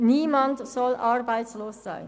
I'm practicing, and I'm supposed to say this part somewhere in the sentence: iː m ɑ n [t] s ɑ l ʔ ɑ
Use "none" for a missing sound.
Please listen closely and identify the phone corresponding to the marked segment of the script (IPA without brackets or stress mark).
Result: t